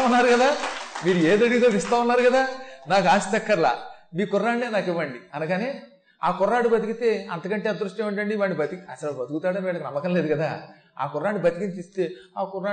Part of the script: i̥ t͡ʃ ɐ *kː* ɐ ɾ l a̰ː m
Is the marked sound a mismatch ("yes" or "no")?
no